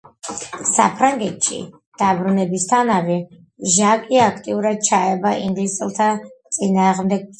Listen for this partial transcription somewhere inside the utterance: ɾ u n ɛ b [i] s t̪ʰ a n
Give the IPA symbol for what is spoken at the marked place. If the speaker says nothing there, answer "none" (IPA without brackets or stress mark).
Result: i